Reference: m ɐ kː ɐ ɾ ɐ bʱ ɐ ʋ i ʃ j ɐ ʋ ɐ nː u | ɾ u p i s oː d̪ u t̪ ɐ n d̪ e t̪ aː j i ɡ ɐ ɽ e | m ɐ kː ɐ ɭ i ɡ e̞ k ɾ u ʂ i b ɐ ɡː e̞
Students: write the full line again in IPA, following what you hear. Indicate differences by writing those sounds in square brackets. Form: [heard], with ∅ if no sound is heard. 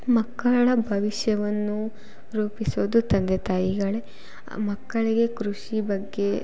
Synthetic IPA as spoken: m ɐ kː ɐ [ɭ] ɐ bʱ ɐ ʋ i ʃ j ɐ ʋ ɐ nː u | ɾ [uː] p i s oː d̪ u t̪ ɐ n d̪ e t̪ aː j i ɡ ɐ [ɭ] e | m ɐ kː ɐ ɭ i ɡ e̞ k ɾ u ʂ i b ɐ ɡː e̞